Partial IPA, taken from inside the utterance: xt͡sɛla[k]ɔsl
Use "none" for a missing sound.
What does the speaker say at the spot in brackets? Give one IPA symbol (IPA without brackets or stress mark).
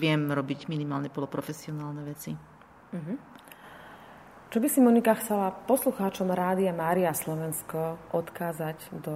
p